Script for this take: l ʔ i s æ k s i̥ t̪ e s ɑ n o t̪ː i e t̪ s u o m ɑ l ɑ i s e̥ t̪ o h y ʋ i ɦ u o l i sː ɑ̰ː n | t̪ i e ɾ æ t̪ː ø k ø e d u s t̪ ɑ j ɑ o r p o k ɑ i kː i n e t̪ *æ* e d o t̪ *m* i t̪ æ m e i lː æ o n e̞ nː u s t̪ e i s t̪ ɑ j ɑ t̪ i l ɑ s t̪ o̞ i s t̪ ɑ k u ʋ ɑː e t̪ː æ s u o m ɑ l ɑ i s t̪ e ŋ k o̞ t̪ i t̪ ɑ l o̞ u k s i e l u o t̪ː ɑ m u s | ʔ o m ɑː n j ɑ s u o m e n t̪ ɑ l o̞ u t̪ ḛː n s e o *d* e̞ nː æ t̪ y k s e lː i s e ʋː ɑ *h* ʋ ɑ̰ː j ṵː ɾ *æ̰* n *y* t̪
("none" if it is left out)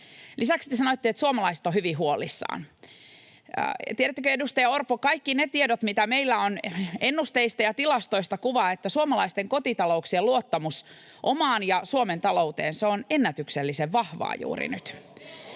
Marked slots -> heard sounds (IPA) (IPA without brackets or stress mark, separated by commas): i, m, n, h, ḭ, y